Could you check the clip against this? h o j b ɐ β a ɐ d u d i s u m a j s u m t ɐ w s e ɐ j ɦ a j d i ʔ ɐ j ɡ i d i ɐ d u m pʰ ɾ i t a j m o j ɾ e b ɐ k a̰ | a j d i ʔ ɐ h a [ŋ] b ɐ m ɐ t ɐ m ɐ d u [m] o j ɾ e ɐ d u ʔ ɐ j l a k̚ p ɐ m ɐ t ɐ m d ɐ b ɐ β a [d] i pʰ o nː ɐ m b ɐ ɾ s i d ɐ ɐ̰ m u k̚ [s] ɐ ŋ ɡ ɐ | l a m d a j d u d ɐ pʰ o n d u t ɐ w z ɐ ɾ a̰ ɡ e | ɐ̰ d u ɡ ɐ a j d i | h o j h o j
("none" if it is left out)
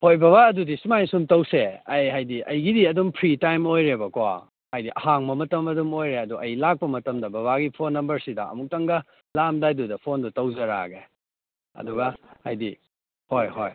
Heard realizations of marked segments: ŋ, m, ɡ, t

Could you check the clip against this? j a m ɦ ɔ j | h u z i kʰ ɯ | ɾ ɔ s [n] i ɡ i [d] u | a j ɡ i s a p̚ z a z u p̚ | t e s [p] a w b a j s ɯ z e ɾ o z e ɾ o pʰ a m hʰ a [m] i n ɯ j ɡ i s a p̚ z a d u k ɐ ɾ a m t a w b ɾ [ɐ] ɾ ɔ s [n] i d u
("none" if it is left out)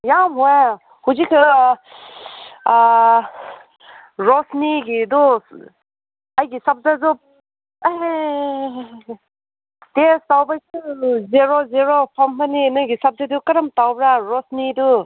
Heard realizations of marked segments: n, d, t, n, a, n

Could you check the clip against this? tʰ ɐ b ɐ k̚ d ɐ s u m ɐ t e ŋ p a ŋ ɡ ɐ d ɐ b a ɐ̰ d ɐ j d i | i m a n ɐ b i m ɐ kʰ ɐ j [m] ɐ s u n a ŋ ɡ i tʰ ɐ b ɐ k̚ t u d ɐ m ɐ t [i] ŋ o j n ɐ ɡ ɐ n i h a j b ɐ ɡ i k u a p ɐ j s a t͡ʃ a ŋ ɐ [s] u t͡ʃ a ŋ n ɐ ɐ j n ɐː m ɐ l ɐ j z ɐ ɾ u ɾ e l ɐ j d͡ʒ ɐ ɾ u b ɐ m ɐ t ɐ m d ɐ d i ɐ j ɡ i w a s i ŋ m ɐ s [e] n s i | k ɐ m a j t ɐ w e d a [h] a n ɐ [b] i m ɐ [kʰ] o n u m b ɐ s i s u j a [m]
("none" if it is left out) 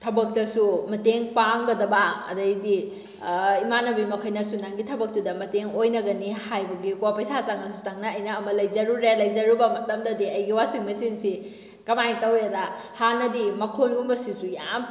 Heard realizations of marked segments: n, e, s, i, h, d, kʰ, m

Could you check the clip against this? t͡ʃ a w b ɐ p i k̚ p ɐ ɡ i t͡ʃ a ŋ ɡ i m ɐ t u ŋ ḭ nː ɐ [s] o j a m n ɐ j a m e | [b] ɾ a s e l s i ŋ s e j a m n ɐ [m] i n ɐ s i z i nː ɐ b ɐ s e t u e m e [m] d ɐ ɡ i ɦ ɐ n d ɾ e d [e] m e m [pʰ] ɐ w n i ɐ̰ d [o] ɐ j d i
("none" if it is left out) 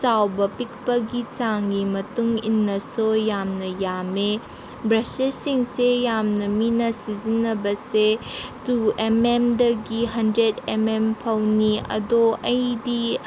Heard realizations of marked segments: s, b, m, m, e, pʰ, o

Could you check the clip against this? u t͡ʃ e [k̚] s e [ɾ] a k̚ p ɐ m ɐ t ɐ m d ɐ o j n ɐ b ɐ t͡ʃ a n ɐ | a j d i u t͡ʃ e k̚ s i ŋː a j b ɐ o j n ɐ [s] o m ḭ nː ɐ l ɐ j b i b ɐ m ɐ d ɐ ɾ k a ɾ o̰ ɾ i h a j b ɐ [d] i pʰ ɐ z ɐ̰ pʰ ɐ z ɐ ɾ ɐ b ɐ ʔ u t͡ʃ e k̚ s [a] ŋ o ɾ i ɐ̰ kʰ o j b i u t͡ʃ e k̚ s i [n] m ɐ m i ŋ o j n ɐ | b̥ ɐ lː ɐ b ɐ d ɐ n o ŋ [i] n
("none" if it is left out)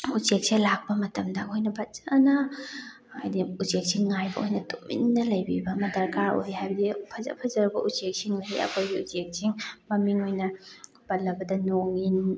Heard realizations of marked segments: k̚, l, t, d, i, ŋ, i

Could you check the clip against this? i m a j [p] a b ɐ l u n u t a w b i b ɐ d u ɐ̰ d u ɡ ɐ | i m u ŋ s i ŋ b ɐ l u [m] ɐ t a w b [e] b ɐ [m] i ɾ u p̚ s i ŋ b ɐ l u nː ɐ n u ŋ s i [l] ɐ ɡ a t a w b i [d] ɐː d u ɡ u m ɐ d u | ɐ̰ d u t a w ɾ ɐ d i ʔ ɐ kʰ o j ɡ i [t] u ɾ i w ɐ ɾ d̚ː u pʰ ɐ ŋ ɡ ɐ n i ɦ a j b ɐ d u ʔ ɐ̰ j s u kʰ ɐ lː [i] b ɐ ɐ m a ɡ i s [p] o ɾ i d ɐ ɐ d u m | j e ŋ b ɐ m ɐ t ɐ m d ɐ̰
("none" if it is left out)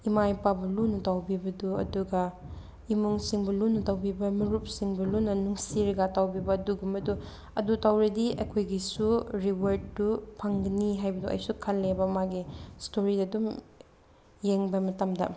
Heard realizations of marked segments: p, n, i, m, ɾ, b, s, e, t

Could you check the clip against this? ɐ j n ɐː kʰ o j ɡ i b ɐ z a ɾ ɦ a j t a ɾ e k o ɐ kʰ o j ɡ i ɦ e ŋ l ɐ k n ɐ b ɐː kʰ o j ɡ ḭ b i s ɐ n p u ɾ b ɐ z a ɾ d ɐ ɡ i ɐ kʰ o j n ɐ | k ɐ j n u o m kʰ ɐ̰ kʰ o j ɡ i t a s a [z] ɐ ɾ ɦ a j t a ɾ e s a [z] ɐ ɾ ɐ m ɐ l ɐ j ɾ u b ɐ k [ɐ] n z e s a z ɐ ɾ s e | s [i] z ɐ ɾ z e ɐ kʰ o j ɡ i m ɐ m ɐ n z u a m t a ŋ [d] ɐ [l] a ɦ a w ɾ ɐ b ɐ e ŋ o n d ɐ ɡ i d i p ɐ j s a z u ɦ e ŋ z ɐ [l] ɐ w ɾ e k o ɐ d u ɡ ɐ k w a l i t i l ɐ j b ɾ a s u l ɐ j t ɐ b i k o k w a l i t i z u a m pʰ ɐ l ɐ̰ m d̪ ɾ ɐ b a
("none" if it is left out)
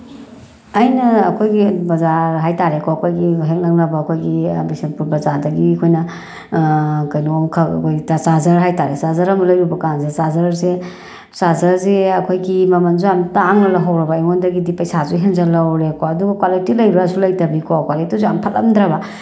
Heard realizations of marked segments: z, z, a, a, n, l, l

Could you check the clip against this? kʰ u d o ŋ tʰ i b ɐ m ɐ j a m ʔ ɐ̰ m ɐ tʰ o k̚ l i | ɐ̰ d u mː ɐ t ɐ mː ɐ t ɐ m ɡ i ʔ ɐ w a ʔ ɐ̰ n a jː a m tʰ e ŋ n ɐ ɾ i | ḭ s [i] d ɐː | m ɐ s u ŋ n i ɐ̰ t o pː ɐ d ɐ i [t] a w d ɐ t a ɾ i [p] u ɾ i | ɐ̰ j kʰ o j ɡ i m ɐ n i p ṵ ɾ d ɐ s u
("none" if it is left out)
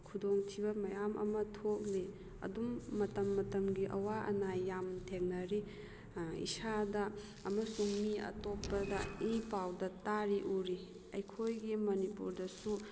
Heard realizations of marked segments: a, p, ʔ

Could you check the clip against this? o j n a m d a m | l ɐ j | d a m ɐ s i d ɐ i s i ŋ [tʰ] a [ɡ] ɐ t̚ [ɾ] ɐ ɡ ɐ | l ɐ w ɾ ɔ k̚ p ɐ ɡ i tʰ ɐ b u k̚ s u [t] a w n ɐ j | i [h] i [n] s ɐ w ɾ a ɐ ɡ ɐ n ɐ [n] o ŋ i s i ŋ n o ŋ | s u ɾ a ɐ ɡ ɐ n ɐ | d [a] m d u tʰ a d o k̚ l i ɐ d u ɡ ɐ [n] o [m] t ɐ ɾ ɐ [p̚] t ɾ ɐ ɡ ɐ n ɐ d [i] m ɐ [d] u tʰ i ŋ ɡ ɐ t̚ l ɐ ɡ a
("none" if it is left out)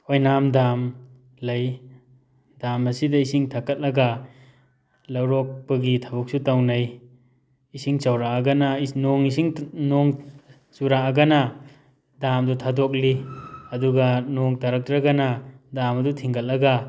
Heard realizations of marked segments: tʰ, k, l, t, s, ŋ, n, a, n, ŋ, k̚, a, d

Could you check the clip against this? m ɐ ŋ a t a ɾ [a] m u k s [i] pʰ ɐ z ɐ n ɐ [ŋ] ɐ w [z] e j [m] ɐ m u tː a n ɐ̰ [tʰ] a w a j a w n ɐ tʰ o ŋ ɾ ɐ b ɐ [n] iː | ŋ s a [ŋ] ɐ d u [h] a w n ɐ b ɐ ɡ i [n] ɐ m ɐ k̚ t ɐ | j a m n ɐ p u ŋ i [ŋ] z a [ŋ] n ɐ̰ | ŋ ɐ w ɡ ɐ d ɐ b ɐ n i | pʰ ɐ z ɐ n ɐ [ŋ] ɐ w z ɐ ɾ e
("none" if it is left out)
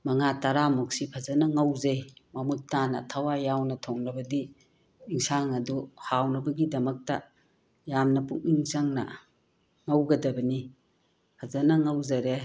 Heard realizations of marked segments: a, i, ŋ, z, m, tʰ, d, ŋ, h, d, ŋ, ŋ, ŋ

